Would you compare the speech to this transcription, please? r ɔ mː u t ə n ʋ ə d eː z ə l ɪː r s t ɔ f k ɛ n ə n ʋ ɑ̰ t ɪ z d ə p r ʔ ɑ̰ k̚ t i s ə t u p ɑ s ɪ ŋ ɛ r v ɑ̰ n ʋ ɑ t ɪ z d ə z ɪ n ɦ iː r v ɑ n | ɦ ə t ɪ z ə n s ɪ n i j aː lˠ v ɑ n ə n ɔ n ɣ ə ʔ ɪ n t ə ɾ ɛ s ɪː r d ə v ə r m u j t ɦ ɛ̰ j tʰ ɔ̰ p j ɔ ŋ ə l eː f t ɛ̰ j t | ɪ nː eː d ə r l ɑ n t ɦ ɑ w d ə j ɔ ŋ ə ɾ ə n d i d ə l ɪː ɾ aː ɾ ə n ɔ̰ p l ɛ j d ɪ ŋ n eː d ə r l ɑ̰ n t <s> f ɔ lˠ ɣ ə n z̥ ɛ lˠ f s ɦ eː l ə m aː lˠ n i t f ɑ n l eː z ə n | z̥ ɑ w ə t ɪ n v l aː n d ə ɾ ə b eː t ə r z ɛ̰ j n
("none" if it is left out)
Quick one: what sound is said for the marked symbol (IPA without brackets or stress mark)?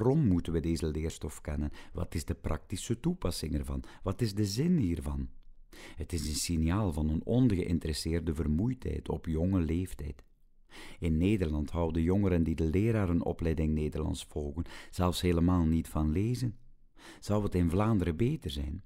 s